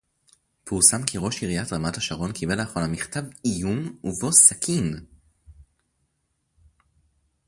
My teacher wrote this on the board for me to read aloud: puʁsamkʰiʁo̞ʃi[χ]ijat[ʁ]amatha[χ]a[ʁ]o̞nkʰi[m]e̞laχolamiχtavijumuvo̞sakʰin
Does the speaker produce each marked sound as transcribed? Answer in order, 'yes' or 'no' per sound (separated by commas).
no, yes, no, yes, no